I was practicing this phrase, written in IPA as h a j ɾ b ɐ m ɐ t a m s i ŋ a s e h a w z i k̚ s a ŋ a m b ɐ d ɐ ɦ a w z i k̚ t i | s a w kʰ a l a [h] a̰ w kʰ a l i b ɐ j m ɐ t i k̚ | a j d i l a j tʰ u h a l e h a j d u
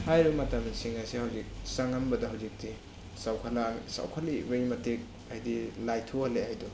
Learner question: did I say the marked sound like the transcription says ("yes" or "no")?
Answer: no